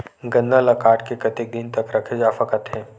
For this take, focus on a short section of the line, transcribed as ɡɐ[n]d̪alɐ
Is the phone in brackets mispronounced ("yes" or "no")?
no